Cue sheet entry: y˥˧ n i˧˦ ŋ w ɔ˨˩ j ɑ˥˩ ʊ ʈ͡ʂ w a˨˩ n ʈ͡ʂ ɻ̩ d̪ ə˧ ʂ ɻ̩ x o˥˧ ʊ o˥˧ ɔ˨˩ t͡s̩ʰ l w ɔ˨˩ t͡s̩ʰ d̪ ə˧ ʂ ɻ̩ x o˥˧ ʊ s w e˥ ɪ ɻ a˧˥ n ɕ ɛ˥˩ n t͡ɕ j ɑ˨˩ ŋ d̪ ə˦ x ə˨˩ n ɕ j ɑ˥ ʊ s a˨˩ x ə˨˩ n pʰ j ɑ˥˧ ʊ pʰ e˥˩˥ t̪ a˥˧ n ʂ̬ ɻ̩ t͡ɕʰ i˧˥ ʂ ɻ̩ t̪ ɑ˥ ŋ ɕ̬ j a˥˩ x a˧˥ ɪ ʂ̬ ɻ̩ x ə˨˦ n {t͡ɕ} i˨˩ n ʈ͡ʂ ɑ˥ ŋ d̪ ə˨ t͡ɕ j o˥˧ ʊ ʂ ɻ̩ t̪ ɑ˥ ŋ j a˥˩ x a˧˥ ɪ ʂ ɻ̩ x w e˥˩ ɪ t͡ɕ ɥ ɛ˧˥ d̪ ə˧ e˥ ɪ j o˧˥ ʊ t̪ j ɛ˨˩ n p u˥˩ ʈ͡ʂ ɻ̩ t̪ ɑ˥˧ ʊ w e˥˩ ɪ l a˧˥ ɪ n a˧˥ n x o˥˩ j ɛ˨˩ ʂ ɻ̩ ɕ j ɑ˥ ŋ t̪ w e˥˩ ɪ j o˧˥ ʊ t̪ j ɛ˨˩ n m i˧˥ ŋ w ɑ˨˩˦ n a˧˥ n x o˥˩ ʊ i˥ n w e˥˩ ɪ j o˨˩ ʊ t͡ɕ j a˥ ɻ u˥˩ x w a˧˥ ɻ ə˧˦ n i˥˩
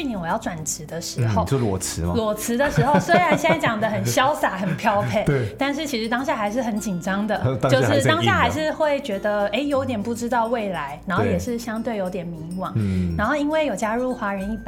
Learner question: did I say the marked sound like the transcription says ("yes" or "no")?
yes